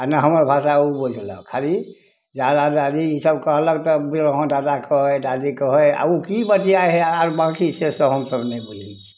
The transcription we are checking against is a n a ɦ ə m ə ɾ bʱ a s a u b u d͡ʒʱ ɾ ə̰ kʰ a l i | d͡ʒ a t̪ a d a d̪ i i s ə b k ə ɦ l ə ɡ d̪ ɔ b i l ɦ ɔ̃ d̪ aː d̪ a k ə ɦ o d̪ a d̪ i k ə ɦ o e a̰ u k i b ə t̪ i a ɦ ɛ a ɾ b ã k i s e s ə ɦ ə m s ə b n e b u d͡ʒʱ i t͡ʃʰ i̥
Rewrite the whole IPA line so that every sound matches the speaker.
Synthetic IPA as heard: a n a ɦ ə m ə ɾ bʱ a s a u b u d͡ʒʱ l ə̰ kʰ a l i | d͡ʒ a d̪ a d a d̪ i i s ə b k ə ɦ l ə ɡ t̪ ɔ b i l ɦ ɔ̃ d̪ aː d̪ a k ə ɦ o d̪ a d̪ i k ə ɦ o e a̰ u k i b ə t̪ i a ɦ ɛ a ɾ b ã k i s e s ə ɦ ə m s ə b n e b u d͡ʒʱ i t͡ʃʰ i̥